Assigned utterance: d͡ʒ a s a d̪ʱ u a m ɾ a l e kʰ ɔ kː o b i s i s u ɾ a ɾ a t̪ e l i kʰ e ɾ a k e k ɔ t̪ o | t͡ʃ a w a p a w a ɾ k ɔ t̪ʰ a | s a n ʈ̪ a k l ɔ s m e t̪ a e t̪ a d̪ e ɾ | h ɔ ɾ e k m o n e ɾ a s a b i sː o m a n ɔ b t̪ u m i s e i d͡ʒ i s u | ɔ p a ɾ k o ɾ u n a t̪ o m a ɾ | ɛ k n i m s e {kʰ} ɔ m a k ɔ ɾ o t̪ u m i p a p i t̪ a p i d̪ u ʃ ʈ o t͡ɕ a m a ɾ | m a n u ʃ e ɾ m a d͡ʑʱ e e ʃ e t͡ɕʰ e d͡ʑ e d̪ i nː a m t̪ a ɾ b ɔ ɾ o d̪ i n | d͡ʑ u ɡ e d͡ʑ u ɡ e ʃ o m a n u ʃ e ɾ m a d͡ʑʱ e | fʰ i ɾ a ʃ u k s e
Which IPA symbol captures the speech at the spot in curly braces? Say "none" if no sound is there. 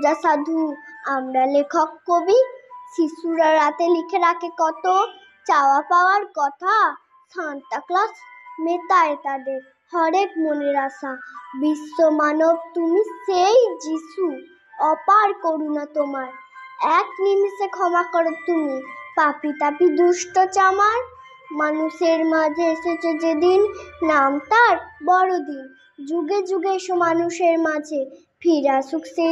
kʰ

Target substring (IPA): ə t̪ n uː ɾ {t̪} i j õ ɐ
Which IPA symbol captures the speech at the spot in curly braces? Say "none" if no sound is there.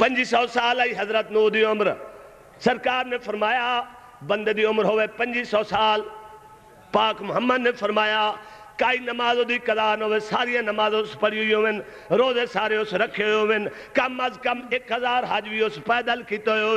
d̪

